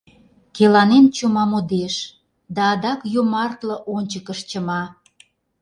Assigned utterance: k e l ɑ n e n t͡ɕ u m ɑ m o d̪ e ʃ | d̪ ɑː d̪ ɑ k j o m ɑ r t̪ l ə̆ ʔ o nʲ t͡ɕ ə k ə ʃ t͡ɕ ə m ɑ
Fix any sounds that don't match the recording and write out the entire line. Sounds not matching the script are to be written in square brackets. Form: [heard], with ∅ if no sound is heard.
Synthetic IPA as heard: k e l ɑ n e n t͡ɕ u m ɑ m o d̪ e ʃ | d̪ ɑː d̪ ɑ k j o m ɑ r t̪ l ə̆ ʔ o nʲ t͡ɕ ə k ə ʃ t͡ɕ ə m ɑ